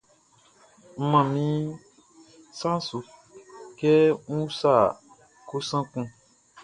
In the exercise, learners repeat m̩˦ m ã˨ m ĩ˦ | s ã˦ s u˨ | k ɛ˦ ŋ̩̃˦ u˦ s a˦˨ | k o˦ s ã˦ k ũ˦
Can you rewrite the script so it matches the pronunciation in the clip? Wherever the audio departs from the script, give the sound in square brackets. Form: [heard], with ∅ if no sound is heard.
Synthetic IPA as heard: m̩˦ m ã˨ m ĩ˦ | s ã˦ s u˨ | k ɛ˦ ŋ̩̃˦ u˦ s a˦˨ | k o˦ s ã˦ k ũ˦